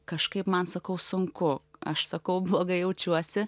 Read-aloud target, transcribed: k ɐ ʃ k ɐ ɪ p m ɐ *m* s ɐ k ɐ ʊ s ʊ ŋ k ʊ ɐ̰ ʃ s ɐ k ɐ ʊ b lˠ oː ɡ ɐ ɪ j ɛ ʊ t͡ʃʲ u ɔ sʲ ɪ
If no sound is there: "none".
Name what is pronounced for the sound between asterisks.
n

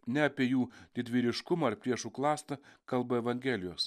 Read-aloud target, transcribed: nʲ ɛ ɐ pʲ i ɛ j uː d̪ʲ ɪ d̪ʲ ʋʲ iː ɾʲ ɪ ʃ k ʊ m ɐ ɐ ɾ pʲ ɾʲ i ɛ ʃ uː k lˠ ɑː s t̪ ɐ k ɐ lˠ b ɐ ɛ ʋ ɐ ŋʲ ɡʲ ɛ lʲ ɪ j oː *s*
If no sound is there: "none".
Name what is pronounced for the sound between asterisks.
s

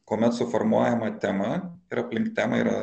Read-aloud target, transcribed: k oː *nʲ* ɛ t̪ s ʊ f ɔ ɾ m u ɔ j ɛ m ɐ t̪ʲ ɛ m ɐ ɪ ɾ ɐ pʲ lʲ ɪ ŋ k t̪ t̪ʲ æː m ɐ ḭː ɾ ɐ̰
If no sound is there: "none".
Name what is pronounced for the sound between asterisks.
mʲ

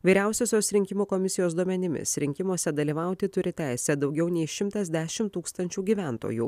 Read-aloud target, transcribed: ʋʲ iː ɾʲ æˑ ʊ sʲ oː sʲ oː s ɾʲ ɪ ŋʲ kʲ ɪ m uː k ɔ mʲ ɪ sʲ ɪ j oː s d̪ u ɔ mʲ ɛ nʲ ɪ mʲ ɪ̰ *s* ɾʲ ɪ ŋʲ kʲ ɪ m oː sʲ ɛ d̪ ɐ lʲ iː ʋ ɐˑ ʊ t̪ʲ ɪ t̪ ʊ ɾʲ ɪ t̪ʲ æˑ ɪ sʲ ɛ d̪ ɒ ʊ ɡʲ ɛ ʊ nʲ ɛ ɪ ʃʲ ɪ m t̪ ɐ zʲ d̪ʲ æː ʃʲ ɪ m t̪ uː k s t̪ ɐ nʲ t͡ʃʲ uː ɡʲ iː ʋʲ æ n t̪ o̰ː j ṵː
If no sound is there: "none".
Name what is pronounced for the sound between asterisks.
s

